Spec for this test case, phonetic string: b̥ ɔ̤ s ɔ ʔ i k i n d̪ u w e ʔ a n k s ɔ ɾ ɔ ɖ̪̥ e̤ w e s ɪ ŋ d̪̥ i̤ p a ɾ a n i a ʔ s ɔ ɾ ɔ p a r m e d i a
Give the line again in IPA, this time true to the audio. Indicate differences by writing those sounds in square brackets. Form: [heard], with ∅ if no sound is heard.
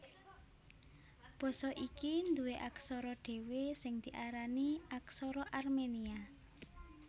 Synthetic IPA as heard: b̥ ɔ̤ s ɔ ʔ i k i n d̪ u w e ʔ a [∅] k s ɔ ɾ ɔ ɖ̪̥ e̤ w e s ɪ ŋ d̪̥ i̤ [ʔ] a ɾ a n i a [k] s ɔ ɾ ɔ [ʔ] a r m e [n] i a